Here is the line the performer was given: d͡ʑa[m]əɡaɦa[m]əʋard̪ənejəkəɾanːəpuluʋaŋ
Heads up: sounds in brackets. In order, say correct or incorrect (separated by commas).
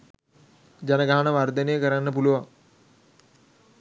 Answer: incorrect, incorrect